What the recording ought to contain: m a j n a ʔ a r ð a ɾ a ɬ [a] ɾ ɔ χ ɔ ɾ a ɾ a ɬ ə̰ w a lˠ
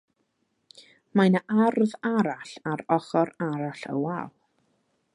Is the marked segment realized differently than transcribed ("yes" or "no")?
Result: no